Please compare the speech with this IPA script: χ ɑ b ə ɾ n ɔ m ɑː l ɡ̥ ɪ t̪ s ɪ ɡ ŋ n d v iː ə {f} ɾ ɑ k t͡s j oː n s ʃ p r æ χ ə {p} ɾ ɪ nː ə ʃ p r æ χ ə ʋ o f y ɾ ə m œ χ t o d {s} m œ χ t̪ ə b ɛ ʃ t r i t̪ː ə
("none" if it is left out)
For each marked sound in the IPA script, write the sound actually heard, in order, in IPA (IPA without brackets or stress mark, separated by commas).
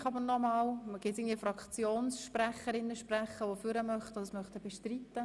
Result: f, none, s